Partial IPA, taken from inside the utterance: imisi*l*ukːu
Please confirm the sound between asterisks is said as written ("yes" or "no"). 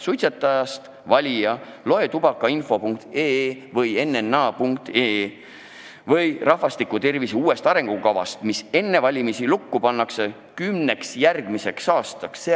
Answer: yes